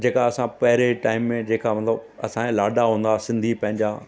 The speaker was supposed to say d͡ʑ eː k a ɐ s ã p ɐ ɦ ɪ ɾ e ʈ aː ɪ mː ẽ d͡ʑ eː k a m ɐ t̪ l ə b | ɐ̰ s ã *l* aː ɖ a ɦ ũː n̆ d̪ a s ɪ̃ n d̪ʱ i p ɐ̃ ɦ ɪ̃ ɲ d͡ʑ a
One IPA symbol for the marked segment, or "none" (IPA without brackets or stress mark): l